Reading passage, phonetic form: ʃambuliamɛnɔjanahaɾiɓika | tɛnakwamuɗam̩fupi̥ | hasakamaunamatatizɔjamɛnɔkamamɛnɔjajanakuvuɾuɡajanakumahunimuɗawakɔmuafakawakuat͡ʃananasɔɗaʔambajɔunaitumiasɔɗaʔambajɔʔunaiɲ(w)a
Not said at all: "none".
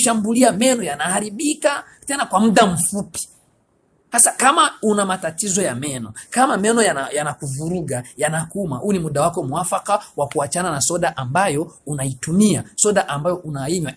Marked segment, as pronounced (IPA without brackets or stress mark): w